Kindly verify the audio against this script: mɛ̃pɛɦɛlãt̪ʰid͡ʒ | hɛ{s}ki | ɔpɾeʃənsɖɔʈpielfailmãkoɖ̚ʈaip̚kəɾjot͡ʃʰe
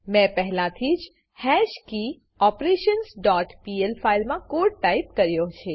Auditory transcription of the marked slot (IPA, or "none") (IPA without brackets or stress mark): ʃ